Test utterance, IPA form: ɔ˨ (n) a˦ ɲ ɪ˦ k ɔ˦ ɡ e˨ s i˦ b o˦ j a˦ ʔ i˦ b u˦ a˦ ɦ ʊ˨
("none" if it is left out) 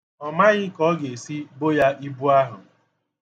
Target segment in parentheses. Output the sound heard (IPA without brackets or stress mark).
m